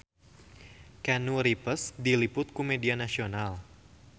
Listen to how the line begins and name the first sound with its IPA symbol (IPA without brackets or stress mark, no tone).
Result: k